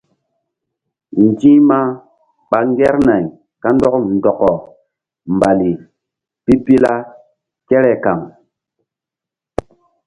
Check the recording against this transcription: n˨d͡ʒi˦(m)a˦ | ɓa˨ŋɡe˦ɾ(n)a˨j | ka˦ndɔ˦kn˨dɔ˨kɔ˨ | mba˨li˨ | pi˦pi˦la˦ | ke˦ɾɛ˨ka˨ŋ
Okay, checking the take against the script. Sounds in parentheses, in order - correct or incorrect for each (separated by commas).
correct, correct